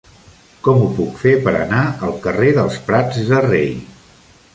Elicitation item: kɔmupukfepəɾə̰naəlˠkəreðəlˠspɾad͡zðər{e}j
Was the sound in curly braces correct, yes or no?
yes